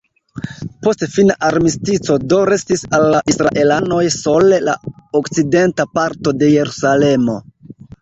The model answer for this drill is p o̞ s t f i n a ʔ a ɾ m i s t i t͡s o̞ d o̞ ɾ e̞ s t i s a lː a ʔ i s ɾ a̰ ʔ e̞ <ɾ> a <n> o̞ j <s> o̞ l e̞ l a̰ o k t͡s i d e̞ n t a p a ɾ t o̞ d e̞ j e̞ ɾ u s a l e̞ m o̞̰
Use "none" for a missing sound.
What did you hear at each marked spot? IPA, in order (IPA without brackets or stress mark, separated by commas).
l, n, s